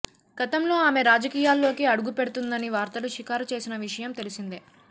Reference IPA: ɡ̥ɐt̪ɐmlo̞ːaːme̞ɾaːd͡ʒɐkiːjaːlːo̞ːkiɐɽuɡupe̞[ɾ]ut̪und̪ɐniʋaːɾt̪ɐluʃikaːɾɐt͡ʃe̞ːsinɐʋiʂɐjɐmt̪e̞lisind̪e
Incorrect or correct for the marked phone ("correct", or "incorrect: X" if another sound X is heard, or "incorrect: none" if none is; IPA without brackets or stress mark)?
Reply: incorrect: ɽ